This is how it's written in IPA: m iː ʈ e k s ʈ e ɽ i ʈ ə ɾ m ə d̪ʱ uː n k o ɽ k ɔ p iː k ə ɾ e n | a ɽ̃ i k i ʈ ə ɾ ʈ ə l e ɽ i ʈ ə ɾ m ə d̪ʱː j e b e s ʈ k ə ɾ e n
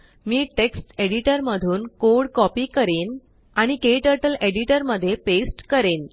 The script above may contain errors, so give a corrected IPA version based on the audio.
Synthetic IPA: m iː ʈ e k s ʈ e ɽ i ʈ ə ɾ m ə d̪ʱ uː n k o ɽ k ɔ p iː k ə ɾ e n | a ɽ̃ i k e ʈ ə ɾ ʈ ə l e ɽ i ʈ ə ɾ m ə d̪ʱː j e p e s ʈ k ə ɾ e n